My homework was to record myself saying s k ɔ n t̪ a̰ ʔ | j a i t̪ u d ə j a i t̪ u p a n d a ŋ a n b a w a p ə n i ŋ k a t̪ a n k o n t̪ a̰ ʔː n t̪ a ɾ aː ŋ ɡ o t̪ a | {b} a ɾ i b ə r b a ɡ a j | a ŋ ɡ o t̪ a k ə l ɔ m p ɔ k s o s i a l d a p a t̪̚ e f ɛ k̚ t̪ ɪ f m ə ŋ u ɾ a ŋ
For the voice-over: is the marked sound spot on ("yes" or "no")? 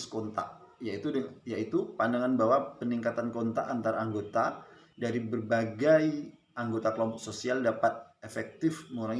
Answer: no